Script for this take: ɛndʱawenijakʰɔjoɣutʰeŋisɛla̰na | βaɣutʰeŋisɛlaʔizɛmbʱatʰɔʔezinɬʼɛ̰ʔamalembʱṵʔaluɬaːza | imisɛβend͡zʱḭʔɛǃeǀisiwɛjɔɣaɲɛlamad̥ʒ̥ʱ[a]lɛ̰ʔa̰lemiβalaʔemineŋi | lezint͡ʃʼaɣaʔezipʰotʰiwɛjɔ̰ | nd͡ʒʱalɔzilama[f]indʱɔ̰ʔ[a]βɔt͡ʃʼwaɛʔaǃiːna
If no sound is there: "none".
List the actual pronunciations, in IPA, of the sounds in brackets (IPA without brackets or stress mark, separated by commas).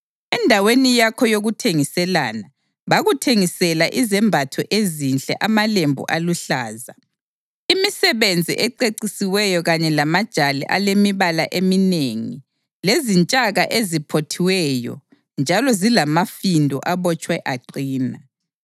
a, f, a